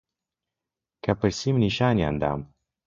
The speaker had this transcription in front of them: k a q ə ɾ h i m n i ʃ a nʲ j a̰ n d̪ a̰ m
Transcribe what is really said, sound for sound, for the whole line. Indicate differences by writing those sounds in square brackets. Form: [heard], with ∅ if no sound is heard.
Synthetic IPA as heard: k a [p] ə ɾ [s] i m n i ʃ a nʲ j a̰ n d̪ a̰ m